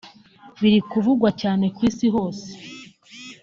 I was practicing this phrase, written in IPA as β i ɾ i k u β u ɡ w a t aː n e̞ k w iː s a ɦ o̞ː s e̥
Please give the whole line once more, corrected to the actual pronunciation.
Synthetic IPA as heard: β i ɾ i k u v u ɡ w a c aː n e̞ k w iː s i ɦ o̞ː s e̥